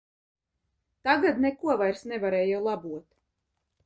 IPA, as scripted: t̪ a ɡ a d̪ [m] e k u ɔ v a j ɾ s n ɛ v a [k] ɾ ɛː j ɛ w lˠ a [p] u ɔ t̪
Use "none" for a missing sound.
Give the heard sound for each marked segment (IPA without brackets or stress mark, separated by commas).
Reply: n, none, b